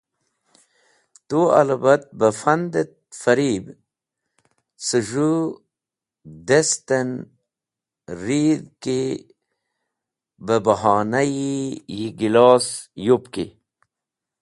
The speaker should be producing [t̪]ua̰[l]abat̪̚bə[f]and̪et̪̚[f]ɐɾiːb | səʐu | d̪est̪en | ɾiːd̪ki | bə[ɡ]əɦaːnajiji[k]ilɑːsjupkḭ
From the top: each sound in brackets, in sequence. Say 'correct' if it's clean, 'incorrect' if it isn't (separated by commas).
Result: correct, correct, correct, correct, incorrect, incorrect